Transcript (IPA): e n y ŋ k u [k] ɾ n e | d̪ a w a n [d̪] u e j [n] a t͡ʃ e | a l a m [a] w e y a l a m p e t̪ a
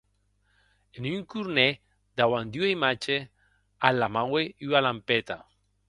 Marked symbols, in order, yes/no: no, yes, no, yes

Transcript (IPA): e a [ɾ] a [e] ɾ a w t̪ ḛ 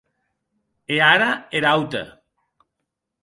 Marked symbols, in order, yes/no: yes, yes

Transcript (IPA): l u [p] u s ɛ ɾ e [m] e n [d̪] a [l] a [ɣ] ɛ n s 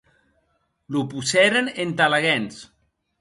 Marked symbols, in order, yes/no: yes, no, no, yes, yes

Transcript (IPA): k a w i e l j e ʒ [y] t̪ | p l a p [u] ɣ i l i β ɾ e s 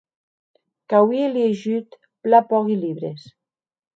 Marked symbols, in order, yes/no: yes, no

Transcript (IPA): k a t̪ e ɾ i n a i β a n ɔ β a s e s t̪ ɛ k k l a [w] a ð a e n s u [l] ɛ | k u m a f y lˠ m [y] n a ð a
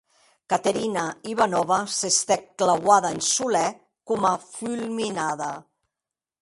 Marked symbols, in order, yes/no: yes, yes, no

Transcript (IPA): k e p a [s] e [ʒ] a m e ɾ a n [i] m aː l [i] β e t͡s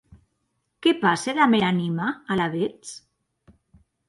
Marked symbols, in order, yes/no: yes, no, yes, no

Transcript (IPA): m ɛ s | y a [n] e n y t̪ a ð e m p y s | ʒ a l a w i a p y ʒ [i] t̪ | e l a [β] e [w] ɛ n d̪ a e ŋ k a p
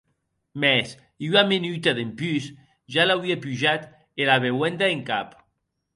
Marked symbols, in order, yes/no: no, no, yes, yes

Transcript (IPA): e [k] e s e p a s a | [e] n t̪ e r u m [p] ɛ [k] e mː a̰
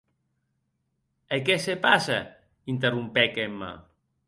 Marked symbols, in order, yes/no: yes, no, yes, yes

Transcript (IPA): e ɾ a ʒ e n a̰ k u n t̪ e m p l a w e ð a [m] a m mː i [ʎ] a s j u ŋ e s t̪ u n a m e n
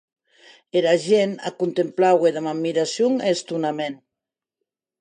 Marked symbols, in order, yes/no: yes, no

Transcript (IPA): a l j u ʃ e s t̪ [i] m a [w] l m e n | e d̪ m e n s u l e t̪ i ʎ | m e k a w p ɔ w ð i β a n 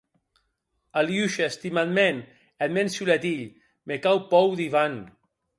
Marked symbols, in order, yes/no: yes, no

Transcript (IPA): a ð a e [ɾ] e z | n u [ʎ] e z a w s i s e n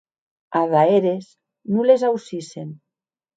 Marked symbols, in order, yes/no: yes, no

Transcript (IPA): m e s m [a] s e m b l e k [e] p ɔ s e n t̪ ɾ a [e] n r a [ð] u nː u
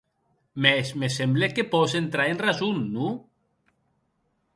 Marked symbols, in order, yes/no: no, yes, yes, no

